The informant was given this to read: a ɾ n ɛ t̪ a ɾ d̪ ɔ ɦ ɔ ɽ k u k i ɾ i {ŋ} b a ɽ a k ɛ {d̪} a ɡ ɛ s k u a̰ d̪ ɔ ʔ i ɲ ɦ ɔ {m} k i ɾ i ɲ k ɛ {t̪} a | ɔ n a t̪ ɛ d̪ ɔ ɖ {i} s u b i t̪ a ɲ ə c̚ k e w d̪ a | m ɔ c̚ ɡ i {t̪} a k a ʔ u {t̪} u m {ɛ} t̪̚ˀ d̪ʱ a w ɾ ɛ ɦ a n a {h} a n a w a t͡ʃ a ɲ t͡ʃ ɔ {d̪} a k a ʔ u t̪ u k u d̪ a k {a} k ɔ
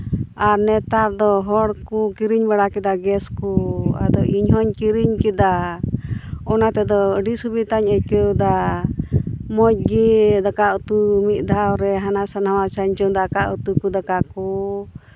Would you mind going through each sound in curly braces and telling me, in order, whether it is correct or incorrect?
incorrect: ɲ, correct, incorrect: ɲ, incorrect: d̪, correct, incorrect: d̪, correct, incorrect: i, incorrect: s, correct, correct

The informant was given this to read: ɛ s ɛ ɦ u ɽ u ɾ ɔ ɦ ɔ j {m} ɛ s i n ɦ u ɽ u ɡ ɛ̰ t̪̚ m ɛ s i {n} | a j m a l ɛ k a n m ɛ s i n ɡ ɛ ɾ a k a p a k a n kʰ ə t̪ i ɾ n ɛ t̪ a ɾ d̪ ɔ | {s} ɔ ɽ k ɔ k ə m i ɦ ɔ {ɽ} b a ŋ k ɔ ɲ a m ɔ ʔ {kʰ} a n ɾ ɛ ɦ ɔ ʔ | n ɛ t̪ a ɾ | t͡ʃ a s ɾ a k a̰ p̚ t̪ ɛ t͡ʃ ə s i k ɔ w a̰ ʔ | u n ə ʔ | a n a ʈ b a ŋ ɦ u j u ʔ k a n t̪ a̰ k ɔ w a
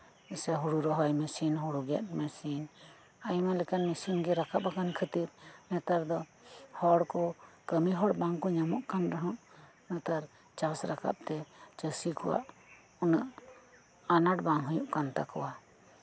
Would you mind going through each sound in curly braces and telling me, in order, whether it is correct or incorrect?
correct, correct, incorrect: h, correct, incorrect: k

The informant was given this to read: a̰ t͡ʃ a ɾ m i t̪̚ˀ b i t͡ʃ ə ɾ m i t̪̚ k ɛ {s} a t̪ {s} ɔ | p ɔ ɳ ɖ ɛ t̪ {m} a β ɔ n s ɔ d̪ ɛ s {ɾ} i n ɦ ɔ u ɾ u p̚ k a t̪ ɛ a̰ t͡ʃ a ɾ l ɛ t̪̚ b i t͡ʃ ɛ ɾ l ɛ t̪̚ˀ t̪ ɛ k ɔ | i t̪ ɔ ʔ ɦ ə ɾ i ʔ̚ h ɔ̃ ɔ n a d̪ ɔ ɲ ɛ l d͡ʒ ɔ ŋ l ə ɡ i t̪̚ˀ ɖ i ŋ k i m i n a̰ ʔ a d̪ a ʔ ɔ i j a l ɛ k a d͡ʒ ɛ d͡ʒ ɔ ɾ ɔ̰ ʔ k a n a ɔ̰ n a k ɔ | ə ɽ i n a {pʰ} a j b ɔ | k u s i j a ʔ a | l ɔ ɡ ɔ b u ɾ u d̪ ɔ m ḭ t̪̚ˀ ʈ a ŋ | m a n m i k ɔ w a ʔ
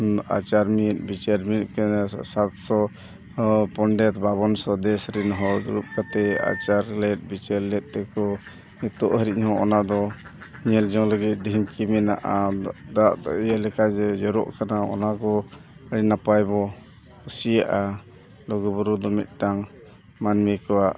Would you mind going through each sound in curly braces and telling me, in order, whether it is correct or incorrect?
correct, correct, incorrect: b, correct, incorrect: p

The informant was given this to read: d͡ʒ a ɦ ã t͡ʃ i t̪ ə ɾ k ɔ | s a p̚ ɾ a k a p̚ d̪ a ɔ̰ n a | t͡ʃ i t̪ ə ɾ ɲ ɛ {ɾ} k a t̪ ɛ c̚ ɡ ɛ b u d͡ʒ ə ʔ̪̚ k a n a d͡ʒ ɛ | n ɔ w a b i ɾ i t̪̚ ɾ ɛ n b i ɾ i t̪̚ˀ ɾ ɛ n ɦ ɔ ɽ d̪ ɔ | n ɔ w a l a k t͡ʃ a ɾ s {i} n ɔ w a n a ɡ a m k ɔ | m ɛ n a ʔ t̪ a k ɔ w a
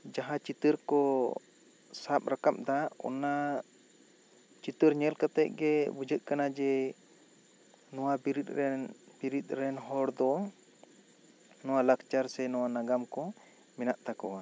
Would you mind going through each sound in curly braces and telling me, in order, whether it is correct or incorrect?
incorrect: l, incorrect: ɛ

